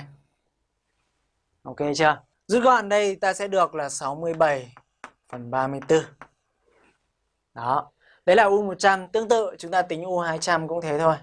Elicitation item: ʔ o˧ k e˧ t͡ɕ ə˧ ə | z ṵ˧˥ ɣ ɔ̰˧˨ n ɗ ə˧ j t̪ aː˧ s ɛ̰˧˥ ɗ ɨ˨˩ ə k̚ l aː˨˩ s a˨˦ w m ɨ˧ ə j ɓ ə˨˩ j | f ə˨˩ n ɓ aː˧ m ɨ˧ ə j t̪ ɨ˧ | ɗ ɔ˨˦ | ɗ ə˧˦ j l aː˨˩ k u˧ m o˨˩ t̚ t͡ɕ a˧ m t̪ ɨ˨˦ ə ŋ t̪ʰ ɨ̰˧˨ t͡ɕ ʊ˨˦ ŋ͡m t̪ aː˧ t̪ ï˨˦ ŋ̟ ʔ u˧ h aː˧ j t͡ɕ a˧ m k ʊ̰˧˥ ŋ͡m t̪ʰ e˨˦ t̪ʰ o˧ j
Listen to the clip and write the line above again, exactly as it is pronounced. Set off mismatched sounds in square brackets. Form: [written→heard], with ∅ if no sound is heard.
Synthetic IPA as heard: ʔ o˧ k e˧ t͡ɕ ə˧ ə | z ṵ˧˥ ɣ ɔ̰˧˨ n ɗ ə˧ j t̪ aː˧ s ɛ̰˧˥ ɗ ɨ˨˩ ə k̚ l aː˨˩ s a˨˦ w m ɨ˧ ə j ɓ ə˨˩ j | f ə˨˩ n ɓ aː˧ m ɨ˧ ə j t̪ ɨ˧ | ɗ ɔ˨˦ | ɗ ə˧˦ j l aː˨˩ [k→ʔ] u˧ m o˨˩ t̚ t͡ɕ a˧ m t̪ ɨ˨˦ ə ŋ [t̪ʰ→t̪] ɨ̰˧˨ t͡ɕ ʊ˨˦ ŋ͡m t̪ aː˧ t̪ ï˨˦ ŋ̟ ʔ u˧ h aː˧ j t͡ɕ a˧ m k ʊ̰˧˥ ŋ͡m t̪ʰ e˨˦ t̪ʰ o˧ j